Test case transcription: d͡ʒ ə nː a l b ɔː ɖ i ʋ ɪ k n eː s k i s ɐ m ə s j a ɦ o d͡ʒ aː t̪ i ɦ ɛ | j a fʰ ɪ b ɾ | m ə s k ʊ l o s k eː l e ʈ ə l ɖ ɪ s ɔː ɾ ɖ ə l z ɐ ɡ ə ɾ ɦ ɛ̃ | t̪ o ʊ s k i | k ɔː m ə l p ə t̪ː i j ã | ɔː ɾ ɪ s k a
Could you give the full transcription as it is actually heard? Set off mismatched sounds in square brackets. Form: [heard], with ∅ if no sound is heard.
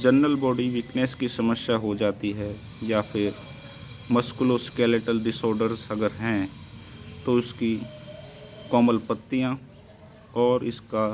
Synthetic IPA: d͡ʒ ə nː [ə] l b ɔː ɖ i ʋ ɪ k n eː s k i s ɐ m ə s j a ɦ o d͡ʒ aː t̪ i ɦ ɛ | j a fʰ ɪ [∅] ɾ | m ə s k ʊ l o s k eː l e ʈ ə l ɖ ɪ s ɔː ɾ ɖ ə [ɾ] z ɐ ɡ ə ɾ ɦ ɛ̃ | t̪ o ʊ s k i | k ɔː m ə l p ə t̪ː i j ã | ɔː ɾ ɪ s k a